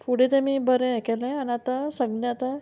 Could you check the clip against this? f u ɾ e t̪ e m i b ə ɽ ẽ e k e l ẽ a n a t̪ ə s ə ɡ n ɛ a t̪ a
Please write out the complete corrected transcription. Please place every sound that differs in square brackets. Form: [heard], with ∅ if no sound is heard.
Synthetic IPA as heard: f u [ɽ] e t̪ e m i b ə [ɾ] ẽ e k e l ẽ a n a t̪ [a] s ə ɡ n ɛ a t̪ a